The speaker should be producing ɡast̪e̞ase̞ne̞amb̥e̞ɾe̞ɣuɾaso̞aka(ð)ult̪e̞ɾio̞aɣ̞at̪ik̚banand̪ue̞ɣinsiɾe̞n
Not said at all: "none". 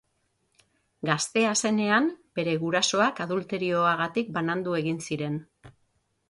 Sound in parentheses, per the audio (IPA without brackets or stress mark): ð